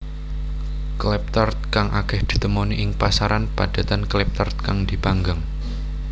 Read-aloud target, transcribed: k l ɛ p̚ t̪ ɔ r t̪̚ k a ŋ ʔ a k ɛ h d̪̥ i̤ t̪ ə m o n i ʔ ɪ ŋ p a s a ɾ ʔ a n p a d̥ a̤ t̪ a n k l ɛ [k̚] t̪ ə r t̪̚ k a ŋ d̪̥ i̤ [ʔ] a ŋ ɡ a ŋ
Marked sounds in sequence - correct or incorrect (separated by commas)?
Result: incorrect, incorrect